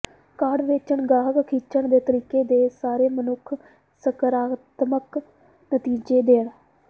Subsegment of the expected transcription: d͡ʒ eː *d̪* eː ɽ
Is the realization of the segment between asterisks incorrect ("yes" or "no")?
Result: no